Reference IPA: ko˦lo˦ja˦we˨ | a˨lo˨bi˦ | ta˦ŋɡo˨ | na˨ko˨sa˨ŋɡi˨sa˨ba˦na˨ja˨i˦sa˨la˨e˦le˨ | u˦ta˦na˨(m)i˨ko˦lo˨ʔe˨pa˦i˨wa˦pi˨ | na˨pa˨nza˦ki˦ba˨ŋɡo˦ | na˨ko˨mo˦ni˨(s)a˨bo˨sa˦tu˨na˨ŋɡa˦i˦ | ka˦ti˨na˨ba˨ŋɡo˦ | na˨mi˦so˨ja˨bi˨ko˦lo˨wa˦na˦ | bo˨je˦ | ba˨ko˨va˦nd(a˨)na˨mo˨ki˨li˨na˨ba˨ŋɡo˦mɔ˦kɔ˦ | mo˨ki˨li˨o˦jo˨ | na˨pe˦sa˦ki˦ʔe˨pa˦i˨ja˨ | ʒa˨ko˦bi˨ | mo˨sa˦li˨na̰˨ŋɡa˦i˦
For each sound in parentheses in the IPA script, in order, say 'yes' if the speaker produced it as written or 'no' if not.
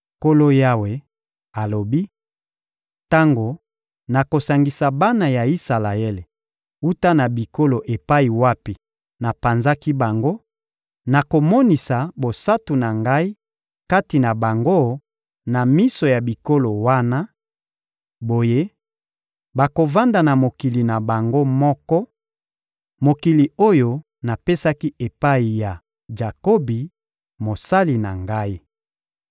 no, yes, yes

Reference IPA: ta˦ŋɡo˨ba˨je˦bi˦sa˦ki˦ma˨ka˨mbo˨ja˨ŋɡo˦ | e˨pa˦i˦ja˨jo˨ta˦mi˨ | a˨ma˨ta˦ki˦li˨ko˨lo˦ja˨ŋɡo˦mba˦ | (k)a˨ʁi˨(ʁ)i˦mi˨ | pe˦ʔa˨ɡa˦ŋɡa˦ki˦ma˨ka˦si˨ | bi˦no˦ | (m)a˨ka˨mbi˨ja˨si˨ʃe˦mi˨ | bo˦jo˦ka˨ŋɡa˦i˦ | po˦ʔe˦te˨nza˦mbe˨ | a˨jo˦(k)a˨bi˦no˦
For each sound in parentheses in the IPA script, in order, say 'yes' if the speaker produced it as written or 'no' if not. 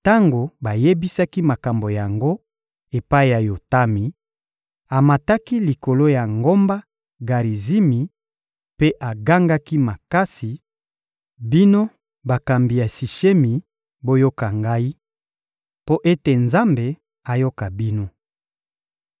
no, no, no, yes

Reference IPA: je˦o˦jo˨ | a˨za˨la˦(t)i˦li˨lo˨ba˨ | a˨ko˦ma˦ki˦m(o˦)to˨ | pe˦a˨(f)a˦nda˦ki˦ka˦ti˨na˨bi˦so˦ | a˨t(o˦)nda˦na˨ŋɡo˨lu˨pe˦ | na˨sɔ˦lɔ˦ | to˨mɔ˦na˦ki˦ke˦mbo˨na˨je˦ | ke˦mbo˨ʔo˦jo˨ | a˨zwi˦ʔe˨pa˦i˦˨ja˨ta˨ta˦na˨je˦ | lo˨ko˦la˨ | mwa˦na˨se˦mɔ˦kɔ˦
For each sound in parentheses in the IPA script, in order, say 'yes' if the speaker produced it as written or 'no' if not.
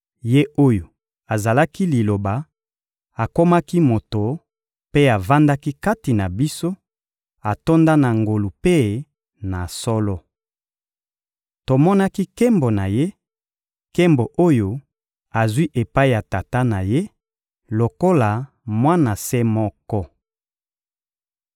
no, no, no, yes

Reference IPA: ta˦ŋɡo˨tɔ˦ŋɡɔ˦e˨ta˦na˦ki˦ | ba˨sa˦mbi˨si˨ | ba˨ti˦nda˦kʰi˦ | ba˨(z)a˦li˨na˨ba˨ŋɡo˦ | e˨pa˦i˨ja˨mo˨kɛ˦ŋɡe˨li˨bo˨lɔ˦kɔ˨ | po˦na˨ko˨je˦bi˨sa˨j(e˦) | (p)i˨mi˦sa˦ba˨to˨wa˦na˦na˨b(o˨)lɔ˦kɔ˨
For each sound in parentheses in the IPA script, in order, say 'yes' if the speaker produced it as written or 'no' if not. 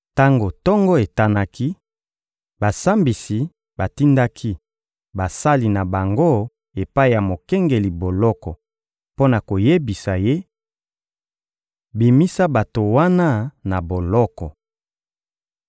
no, yes, no, yes

